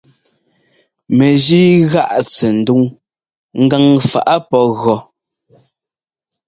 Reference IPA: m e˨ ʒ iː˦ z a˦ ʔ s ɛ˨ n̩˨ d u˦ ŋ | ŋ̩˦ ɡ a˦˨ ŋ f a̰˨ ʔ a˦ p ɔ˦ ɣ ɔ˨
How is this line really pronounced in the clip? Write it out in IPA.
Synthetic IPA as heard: m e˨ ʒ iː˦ ɣ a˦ ʔ s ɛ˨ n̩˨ d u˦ ŋ | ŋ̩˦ ɡ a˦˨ ŋ f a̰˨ ʔ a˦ p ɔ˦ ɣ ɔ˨